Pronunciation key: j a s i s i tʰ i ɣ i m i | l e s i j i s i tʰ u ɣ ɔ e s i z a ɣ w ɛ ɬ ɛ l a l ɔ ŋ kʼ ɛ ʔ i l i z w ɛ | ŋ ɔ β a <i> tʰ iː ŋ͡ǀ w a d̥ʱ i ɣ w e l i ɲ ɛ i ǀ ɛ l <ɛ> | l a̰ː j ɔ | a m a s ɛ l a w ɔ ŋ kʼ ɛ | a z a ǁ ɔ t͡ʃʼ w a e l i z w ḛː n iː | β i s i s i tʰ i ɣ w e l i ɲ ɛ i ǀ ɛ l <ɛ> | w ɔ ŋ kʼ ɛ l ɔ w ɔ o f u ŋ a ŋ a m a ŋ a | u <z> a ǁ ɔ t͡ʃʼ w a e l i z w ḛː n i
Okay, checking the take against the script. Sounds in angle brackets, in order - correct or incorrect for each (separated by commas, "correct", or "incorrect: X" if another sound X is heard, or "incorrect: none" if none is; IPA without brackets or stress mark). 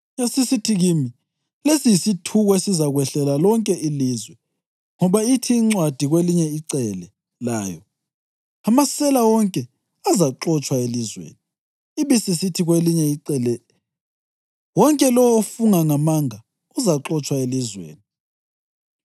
correct, correct, correct, correct